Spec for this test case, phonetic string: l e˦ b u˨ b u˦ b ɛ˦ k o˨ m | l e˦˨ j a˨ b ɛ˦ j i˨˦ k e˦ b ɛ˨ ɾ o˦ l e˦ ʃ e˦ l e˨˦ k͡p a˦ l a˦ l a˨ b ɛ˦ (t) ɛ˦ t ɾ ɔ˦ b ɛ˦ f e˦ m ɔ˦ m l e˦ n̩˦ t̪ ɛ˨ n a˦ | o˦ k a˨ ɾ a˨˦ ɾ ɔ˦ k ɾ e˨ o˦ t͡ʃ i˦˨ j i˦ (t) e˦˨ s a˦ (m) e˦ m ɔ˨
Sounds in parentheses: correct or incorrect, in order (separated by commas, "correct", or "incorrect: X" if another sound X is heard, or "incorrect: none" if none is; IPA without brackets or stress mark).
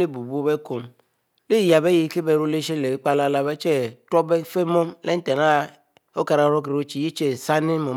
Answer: incorrect: t͡ʃ, incorrect: t͡ʃ, incorrect: n